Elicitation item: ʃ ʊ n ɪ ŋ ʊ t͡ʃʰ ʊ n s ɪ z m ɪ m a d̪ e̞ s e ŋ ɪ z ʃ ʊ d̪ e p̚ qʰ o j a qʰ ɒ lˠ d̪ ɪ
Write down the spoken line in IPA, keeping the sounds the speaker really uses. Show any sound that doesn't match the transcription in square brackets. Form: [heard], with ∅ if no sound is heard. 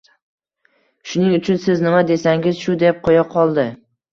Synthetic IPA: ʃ ʊ n ɪ ŋ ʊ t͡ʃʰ ʊ n s ɪ z [n] ɪ m a d̪ e̞ s [a] ŋ ɪ z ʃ ʊ d̪ e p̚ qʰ o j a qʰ ɒ lˠ d̪ ɪ